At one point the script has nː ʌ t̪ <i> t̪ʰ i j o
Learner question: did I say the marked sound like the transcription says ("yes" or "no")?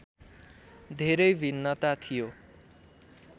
no